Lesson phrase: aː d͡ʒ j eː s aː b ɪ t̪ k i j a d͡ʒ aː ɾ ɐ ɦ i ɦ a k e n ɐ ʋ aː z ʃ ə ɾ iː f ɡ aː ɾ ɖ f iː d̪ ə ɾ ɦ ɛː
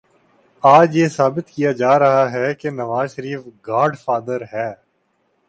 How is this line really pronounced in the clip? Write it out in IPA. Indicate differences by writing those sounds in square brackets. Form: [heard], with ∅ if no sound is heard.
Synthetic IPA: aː d͡ʒ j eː s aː b ɪ t̪ k i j a d͡ʒ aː ɾ ɐ ɦ [a] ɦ [ɛ] k e n ɐ ʋ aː z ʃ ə ɾ iː f ɡ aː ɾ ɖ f [aː] d̪ ə ɾ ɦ ɛː